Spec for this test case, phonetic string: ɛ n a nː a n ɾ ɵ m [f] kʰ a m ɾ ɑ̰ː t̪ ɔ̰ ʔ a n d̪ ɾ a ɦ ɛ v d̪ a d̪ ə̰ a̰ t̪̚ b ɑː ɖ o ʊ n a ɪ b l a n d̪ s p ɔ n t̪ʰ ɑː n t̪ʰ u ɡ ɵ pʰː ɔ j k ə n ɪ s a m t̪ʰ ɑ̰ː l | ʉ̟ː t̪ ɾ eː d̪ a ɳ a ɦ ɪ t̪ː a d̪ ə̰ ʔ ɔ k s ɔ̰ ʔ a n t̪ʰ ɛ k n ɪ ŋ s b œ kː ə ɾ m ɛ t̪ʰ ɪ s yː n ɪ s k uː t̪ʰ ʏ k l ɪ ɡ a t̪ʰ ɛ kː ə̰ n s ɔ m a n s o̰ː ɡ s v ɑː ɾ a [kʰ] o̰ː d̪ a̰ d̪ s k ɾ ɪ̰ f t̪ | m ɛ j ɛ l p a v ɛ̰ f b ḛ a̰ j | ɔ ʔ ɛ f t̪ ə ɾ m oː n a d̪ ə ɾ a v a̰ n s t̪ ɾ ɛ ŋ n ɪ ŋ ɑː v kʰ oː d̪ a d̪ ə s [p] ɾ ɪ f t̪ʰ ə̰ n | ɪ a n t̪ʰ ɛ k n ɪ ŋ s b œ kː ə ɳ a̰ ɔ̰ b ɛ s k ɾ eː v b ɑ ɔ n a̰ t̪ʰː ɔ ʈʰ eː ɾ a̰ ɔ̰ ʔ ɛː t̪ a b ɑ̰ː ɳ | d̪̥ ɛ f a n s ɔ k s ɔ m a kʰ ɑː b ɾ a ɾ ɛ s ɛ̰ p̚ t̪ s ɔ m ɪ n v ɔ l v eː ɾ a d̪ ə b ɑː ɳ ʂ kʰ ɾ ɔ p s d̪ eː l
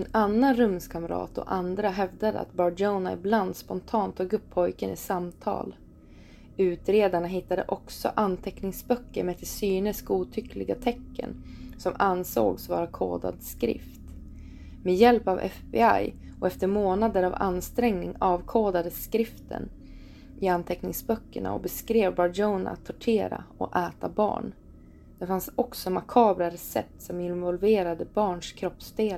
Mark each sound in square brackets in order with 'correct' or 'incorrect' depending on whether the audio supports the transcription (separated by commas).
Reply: incorrect, correct, incorrect